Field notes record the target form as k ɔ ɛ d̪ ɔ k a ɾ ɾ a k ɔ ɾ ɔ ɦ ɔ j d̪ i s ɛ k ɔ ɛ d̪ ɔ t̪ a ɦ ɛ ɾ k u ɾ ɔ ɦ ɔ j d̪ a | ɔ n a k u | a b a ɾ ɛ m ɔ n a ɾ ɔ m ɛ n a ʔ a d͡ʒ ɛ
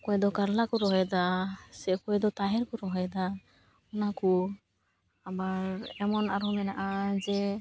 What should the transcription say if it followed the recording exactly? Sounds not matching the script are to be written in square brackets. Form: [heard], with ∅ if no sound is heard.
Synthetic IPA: k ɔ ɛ d̪ ɔ k a ɾ [l] a k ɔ ɾ ɔ ɦ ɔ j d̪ [a] s ɛ k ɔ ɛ d̪ ɔ t̪ a ɦ ɛ ɾ k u ɾ ɔ ɦ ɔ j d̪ a | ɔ n a k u | a b a ɾ ɛ m ɔ n a ɾ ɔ m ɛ n a ʔ a d͡ʒ ɛ

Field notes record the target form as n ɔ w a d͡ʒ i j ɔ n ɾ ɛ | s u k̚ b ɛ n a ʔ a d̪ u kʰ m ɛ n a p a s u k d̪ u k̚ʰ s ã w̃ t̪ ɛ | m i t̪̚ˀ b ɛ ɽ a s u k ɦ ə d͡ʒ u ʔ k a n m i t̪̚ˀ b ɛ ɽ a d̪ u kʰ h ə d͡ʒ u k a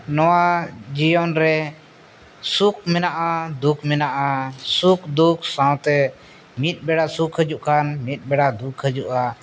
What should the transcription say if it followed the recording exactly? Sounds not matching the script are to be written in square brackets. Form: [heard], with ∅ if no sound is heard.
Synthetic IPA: n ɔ w a d͡ʒ i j ɔ n ɾ ɛ | s u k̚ [m] ɛ n a ʔ a d̪ u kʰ m ɛ n a [ʔ] a s u k d̪ u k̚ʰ s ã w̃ t̪ ɛ | m i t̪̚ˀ b ɛ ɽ a s u k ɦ ə d͡ʒ u ʔ k a n m i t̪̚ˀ b ɛ ɽ a d̪ u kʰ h ə d͡ʒ u [ʔ] a

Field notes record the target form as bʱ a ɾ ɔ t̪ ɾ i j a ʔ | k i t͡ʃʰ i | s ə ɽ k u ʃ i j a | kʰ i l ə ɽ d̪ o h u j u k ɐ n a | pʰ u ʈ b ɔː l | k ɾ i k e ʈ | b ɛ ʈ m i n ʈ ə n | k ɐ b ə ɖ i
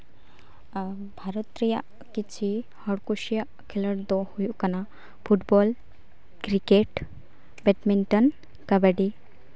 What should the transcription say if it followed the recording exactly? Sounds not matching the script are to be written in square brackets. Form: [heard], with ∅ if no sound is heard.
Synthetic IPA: bʱ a ɾ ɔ t̪ ɾ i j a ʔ | k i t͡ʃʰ i | [h] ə ɽ k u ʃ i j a | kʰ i l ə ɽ d̪ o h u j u k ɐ n a | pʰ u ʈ b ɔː l | k ɾ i k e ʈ | b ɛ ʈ m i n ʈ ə n | k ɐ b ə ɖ i

